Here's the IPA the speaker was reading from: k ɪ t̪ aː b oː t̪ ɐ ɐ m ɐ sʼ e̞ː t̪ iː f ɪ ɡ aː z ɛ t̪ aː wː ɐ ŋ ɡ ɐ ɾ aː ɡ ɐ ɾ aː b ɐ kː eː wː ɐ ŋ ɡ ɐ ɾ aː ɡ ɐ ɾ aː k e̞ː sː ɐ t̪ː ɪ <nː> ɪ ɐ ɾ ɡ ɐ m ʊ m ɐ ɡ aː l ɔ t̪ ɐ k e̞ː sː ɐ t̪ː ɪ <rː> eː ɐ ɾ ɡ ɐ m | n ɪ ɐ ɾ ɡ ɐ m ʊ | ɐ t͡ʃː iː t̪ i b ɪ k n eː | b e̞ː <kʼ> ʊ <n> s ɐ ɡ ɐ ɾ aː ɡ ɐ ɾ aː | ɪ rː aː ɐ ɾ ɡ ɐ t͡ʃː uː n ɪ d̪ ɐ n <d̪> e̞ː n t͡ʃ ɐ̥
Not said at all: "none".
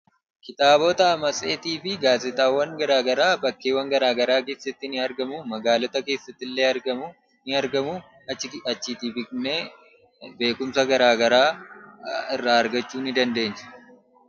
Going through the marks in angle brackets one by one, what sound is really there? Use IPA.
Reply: n, lː, k, m, d̪

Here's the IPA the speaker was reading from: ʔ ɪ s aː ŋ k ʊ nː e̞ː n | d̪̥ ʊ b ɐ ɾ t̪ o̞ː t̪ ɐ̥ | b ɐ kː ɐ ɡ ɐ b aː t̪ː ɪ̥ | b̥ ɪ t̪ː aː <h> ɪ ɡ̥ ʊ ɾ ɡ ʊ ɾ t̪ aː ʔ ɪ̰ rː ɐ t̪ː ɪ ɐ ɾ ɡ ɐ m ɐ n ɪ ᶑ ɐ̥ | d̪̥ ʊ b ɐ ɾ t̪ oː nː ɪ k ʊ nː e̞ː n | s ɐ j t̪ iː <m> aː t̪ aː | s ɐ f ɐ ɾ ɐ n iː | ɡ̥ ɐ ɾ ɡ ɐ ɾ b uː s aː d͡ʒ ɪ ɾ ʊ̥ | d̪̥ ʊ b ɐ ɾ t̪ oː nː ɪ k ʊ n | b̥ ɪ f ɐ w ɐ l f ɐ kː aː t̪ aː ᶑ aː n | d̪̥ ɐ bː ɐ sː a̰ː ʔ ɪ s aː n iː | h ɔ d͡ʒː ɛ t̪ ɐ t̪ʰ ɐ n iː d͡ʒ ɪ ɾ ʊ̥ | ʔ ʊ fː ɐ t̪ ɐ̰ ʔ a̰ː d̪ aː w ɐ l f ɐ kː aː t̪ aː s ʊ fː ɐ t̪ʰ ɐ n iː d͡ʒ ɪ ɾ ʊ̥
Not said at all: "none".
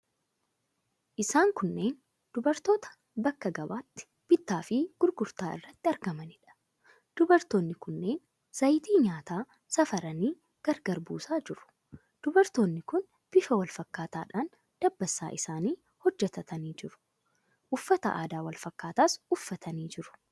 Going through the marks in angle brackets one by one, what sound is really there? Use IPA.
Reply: f, ɲ

